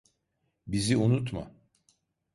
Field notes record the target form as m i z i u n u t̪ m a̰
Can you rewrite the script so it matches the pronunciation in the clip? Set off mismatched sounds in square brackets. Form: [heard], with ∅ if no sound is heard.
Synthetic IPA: [b] i z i u n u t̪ m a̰